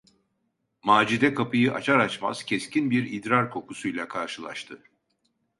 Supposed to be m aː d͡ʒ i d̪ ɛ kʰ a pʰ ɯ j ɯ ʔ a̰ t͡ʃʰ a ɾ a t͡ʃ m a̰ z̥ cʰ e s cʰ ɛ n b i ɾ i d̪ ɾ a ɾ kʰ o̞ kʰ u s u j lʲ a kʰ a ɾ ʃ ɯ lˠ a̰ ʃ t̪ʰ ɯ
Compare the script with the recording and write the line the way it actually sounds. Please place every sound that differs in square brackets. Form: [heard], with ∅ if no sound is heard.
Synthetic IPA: m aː d͡ʒ i d̪ ɛ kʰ a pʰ ɯ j ɯ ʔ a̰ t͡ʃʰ a ɾ a t͡ʃ m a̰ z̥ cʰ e s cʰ [i] n b i ɾ i d̪ ɾ a ɾ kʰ o̞ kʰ u s u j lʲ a kʰ a ɾ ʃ ɯ lˠ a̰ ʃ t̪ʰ ɯ